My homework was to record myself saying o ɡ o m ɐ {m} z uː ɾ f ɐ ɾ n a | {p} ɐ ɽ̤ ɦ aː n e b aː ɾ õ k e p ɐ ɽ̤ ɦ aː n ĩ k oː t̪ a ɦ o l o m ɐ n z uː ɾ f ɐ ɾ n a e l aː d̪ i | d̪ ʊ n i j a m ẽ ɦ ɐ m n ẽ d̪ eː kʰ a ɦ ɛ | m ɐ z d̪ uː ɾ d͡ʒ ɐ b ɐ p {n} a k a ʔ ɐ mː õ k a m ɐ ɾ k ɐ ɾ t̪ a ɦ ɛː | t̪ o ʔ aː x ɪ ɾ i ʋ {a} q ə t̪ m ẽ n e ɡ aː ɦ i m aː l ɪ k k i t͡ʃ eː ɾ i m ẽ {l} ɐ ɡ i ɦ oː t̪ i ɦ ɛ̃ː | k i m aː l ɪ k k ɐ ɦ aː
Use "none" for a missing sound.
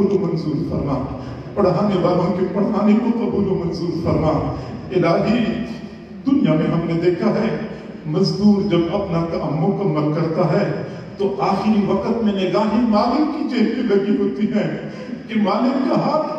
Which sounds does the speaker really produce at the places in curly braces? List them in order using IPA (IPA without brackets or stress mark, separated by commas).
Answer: n, p, n, ɐ, l